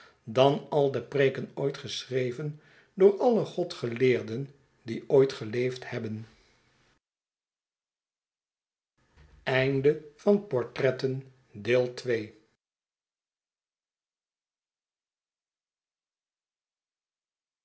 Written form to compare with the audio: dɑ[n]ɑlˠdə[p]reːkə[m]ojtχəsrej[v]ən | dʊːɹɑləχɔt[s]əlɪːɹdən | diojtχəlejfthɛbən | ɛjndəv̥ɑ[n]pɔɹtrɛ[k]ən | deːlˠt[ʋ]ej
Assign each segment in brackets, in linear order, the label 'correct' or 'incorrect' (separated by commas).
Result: correct, correct, incorrect, correct, incorrect, correct, incorrect, correct